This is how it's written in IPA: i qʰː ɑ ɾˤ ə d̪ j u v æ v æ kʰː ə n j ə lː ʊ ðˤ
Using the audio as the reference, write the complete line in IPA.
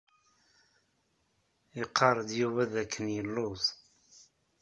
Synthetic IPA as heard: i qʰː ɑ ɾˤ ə d̪ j u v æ ð æ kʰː ə n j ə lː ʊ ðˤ